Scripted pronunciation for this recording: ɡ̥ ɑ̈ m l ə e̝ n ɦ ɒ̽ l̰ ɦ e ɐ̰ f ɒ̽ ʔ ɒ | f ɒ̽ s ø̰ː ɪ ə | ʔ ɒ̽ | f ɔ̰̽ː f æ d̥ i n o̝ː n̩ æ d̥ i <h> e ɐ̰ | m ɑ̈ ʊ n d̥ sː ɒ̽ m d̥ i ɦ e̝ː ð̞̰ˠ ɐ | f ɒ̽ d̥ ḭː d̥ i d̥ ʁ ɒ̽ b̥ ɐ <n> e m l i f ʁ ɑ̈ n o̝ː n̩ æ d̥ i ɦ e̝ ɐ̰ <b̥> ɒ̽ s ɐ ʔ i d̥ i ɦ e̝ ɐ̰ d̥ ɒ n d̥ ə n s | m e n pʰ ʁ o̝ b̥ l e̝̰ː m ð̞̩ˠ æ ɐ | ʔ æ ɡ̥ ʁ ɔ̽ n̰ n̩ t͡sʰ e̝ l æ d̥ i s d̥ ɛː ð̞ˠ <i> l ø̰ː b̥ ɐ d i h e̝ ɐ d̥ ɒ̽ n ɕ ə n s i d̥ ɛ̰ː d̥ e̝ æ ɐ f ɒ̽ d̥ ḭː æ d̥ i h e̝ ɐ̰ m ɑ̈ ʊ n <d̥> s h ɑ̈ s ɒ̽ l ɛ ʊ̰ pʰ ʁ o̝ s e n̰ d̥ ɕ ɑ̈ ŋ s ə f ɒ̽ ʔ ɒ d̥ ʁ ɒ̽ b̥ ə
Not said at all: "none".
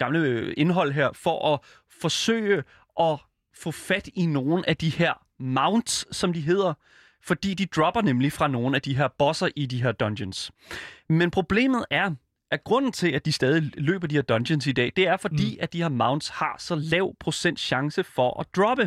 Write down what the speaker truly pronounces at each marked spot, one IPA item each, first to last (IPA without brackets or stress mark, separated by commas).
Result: h, n, b̥, i, d̥